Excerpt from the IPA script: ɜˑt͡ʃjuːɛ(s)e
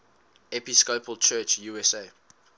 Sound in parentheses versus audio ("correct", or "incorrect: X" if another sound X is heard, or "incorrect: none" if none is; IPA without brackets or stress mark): correct